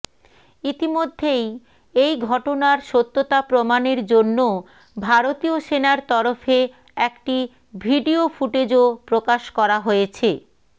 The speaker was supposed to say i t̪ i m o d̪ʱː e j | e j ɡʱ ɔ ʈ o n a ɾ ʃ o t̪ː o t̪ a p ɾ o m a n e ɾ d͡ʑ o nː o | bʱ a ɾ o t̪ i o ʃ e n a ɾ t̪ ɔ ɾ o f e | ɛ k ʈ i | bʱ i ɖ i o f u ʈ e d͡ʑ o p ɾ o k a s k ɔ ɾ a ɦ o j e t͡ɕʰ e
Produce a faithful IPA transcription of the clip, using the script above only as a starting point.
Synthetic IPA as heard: i t̪ i m o d̪ʱː e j | e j ɡʱ ɔ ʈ o n a ɾ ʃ o t̪ː o t̪ a p ɾ o m a n e ɾ d͡ʑ o nː o | bʱ a ɾ o t̪ i o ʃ e n a ɾ t̪ ɔ ɾ o f e | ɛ k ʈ i | bʱ i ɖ i o f u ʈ e d͡ʑ o p ɾ o k a ʃ k ɔ ɾ a ɦ o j e t͡ɕʰ e